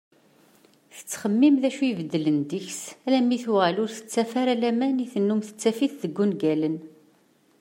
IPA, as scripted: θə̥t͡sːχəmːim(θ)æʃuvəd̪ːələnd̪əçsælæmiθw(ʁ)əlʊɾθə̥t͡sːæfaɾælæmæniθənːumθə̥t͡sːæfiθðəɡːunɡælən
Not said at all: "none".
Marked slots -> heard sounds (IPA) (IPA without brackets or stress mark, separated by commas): ð, ʁ